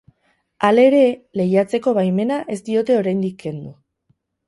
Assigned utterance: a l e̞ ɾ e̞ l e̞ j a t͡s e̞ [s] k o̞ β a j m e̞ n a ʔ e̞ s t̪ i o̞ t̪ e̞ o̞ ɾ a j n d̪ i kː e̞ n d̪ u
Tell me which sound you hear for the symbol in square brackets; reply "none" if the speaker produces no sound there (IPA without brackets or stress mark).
none